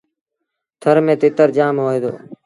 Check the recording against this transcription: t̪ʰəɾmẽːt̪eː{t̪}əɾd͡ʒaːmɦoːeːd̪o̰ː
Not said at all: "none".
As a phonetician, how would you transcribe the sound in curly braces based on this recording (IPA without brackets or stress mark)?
t̪